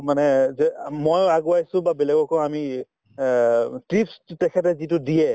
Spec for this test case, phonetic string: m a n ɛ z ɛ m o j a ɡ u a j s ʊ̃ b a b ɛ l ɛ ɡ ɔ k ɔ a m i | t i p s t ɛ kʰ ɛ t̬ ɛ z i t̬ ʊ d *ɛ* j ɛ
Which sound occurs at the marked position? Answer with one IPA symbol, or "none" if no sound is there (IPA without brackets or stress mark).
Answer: i